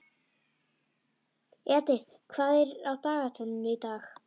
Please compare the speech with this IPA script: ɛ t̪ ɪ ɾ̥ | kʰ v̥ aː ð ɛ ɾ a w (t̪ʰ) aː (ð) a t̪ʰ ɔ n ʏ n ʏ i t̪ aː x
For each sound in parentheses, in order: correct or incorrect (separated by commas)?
incorrect, incorrect